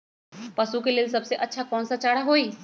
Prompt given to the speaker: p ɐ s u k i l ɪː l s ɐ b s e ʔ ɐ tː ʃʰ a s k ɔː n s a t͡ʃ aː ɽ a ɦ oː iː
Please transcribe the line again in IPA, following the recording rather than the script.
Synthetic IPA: p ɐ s u k e l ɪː l s ɐ b s e ʔ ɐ tː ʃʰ a k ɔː n s a t͡ʃ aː ɽ a ɦ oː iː